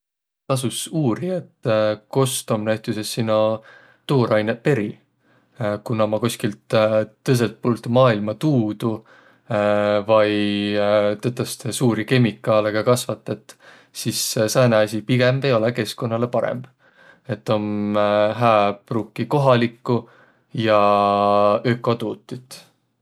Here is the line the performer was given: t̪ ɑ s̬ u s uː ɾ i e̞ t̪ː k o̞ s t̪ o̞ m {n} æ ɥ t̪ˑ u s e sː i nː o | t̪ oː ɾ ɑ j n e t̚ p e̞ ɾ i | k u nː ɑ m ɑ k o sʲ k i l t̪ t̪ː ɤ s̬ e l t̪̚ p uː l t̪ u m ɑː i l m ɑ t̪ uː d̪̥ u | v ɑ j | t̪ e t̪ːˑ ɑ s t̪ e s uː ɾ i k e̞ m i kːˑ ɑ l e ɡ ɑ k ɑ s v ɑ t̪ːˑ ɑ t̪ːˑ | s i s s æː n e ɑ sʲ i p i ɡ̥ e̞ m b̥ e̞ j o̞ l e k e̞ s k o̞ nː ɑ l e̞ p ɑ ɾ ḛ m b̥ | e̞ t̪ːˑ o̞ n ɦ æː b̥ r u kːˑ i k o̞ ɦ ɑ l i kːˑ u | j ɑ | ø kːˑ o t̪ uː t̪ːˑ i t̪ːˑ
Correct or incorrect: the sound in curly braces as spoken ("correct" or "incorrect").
correct